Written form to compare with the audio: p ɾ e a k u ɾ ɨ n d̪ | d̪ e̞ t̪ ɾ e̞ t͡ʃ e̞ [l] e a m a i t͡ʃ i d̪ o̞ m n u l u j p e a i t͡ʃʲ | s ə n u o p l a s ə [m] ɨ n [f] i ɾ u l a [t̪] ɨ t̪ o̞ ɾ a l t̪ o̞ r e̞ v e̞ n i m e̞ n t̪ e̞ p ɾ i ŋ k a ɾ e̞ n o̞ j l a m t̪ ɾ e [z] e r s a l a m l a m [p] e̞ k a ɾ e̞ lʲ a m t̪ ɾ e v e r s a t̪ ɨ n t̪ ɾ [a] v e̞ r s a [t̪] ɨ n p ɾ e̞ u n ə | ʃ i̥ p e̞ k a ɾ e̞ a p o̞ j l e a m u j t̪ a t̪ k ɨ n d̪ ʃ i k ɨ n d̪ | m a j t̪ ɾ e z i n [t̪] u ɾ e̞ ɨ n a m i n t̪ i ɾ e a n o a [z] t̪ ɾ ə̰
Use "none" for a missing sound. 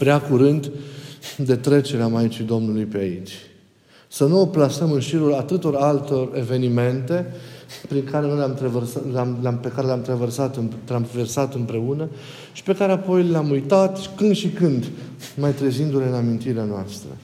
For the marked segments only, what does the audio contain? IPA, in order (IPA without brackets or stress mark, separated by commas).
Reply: ɾ, m, ʃ, t̪, v, p, a, t̪, d̪, s